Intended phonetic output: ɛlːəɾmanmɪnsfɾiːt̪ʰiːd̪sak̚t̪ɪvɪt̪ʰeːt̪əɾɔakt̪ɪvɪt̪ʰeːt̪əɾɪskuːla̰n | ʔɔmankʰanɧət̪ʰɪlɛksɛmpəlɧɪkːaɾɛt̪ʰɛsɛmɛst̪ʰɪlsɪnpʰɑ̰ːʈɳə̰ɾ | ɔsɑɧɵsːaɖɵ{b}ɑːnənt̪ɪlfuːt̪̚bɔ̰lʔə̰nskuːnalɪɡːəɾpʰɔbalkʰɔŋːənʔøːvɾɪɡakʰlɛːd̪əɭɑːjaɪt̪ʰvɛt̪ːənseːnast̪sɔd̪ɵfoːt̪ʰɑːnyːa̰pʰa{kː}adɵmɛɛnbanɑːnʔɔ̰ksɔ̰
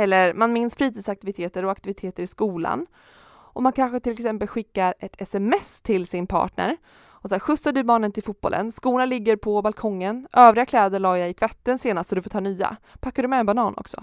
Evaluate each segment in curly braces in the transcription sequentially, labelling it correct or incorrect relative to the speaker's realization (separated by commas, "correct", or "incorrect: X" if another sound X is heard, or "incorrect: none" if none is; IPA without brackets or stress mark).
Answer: correct, correct